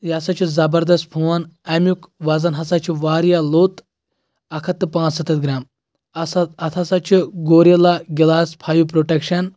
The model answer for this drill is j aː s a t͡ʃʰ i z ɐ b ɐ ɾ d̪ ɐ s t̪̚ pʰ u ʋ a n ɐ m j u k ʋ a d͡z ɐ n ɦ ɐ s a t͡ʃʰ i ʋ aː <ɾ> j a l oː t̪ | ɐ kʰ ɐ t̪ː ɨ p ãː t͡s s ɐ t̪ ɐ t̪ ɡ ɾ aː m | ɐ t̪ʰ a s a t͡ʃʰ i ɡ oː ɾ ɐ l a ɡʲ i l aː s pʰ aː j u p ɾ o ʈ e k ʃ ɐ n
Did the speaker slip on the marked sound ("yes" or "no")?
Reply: no